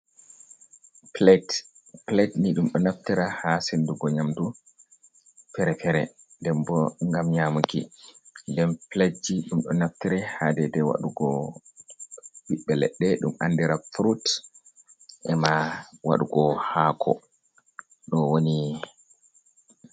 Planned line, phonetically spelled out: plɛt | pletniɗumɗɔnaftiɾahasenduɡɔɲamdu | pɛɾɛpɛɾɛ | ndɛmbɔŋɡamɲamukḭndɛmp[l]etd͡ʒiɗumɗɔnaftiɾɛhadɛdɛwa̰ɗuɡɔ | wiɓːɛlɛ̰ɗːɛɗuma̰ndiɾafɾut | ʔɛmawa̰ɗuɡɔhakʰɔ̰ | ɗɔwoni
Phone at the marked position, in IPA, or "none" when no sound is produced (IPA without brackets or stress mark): l